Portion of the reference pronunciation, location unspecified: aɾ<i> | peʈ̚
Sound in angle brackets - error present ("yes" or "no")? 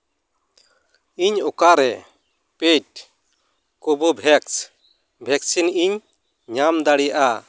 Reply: yes